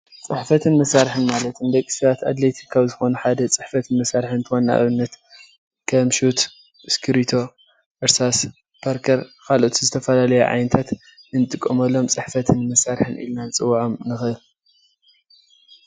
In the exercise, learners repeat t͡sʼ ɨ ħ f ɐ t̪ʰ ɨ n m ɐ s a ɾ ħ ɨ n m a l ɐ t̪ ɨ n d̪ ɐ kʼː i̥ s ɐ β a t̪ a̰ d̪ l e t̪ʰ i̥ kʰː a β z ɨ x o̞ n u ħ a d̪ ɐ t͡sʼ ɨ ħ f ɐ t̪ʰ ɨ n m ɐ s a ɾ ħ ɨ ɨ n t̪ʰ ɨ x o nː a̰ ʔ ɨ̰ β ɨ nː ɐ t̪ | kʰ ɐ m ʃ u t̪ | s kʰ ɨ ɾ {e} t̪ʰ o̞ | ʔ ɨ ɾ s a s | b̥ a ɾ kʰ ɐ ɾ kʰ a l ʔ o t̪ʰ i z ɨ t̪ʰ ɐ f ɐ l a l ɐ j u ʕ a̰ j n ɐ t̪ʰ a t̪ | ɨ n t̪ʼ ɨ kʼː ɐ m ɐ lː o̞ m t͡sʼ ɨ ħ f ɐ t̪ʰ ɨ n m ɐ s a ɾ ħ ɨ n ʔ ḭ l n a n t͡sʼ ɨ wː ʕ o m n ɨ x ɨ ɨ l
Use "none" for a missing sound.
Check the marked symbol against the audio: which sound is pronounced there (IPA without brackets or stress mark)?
i